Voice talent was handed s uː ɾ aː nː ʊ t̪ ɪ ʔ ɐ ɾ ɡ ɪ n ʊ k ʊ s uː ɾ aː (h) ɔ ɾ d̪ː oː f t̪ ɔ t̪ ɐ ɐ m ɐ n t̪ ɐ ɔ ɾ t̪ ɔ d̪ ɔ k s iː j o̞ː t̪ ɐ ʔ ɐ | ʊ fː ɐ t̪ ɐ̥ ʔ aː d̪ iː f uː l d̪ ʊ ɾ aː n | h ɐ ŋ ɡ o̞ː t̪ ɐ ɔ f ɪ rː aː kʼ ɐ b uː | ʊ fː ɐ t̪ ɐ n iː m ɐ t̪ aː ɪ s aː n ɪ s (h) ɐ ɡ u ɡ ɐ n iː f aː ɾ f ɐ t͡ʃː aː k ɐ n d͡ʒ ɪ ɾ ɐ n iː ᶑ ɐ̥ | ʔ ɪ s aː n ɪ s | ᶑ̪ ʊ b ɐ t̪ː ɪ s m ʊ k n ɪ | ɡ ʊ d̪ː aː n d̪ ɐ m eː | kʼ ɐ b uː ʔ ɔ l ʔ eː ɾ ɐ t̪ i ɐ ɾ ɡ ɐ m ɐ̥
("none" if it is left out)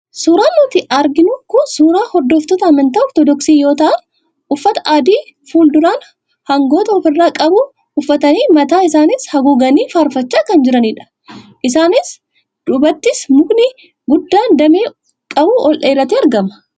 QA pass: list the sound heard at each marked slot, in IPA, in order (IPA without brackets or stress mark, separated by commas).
h, h